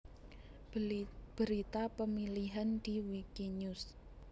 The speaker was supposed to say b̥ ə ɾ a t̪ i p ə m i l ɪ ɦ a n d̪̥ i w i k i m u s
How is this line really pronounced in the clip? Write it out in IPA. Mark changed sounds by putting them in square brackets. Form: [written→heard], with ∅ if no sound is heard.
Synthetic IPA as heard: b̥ ə ɾ [a→i] t̪ [i→a] p ə m i l [ɪ→i] ɦ a n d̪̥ i w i k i [m→ɲ] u s